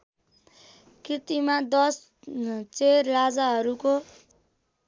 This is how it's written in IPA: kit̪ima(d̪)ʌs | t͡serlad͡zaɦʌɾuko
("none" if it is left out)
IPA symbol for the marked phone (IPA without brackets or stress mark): d̪